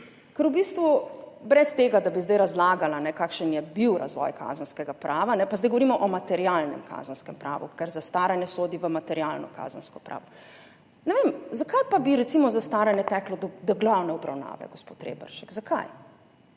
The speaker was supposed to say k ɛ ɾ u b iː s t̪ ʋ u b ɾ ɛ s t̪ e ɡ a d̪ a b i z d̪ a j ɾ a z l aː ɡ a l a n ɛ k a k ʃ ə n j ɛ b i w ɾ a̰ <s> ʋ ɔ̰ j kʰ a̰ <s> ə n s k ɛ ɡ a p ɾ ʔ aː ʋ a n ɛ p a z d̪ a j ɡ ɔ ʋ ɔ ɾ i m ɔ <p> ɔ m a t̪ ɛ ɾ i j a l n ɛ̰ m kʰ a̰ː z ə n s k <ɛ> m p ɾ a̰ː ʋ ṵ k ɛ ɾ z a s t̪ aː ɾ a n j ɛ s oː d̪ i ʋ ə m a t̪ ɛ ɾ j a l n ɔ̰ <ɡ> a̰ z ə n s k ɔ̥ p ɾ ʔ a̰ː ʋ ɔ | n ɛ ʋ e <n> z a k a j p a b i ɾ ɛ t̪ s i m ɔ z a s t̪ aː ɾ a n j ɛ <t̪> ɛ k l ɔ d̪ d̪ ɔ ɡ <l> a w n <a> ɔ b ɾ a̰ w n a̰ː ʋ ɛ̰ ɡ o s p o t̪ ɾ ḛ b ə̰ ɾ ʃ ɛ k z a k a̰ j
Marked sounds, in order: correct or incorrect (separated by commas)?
incorrect, incorrect, incorrect, correct, incorrect, incorrect, correct, correct, incorrect